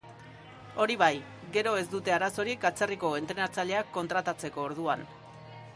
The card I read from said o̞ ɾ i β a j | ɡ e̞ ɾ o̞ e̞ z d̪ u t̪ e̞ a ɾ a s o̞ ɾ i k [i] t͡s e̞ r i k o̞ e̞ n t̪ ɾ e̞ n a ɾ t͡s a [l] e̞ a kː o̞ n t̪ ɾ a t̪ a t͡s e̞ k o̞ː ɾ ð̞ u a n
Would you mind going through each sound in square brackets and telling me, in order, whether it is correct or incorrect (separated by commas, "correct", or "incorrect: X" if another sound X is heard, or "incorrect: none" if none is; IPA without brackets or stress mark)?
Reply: incorrect: a, incorrect: ʎ